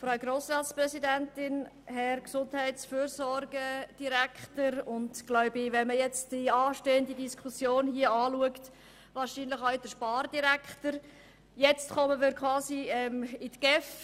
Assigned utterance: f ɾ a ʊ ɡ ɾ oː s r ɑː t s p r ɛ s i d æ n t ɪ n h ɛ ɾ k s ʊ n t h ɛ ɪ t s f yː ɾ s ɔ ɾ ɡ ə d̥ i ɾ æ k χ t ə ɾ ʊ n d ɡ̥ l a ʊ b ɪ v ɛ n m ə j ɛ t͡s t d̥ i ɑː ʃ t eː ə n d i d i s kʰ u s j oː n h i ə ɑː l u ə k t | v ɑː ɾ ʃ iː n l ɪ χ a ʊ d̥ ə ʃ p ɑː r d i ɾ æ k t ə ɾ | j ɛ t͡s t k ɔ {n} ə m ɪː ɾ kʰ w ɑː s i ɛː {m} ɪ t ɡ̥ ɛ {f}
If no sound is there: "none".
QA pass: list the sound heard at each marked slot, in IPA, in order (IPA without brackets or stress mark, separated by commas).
m, m, f